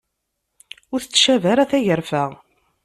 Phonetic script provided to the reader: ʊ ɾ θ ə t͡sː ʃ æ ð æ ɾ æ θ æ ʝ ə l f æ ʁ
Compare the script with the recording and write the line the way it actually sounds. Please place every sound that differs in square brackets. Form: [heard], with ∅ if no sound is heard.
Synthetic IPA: ʊ ɾ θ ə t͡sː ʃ æ [v] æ ɾ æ θ æ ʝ ə [ɾ] f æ ʁ